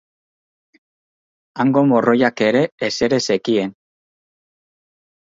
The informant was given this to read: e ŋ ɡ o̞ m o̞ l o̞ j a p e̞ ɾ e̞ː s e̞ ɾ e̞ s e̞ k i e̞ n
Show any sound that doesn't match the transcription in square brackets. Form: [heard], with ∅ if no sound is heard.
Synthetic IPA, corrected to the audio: [a] ŋ ɡ o̞ m o̞ [r] o̞ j a [k] e̞ ɾ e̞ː s e̞ ɾ e̞ s e̞ k i e̞ n